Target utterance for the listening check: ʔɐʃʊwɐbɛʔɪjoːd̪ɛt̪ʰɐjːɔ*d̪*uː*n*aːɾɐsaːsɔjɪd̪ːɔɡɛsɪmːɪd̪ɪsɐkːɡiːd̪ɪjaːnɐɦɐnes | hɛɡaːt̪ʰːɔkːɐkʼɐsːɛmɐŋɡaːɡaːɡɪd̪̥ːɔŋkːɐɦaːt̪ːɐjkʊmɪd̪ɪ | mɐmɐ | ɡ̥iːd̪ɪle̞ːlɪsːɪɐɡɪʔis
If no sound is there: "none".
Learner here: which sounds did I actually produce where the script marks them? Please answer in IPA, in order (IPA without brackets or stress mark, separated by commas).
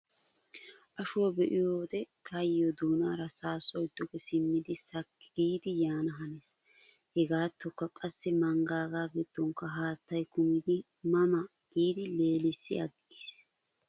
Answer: d̪, n